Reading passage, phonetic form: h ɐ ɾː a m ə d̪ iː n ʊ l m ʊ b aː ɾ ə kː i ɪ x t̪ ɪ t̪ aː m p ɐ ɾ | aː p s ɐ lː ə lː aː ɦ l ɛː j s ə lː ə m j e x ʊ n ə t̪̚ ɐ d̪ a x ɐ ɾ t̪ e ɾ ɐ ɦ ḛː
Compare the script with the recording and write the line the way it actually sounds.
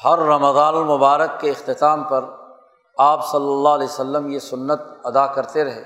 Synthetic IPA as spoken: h ɐ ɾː ɐ m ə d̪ aː n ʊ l m ʊ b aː ɾ ə kː e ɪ x t̪ ɪ t̪ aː m p ɐ ɾ | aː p s ɐ lː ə lː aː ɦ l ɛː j s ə lː ə m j e s ʊ nː ə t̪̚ ɐ d̪ a k ɐ ɾ t̪ e ɾ ɐ ɦ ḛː